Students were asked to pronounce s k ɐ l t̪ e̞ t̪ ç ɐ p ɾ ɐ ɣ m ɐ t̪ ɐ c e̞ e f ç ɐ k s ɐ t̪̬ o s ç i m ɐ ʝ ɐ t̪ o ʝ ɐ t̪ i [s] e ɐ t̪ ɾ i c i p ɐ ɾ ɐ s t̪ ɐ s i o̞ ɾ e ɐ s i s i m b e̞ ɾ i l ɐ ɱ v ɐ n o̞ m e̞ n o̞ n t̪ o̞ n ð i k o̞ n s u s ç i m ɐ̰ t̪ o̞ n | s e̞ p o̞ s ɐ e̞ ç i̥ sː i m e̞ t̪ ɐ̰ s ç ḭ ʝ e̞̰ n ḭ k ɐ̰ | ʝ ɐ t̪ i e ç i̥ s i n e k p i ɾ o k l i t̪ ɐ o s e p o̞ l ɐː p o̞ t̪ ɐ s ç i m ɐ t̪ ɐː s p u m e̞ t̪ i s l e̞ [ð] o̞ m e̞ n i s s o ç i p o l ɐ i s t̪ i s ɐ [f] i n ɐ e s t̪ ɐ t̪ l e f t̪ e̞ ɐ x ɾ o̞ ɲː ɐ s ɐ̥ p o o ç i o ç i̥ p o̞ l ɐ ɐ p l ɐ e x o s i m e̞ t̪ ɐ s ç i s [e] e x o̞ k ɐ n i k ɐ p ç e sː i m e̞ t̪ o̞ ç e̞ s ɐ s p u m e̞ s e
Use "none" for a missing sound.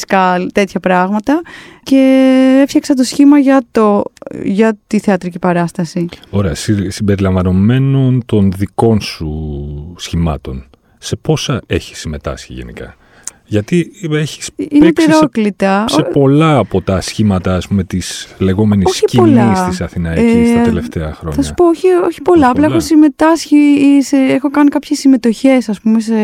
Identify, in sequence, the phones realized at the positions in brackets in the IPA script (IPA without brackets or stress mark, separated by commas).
θ, ɣ, θ, e